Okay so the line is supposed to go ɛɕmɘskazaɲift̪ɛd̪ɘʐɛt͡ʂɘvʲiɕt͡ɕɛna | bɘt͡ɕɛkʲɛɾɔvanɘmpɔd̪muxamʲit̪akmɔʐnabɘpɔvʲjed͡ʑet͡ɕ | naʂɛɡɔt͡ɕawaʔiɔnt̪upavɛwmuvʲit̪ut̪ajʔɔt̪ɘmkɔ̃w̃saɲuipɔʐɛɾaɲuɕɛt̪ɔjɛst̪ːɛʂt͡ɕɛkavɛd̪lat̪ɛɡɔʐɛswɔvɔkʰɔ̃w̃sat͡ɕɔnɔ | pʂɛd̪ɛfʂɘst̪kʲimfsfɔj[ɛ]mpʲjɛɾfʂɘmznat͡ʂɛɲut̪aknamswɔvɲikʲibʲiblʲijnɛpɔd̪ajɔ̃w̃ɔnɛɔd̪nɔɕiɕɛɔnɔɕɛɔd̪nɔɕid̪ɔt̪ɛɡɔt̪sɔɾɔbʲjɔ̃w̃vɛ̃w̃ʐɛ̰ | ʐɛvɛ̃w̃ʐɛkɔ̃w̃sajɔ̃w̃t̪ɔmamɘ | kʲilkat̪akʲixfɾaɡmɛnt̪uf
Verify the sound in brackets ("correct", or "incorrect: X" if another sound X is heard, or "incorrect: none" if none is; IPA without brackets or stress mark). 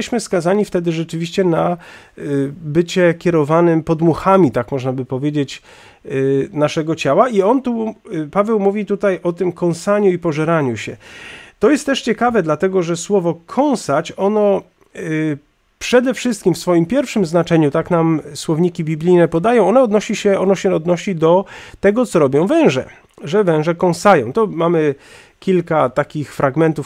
incorrect: i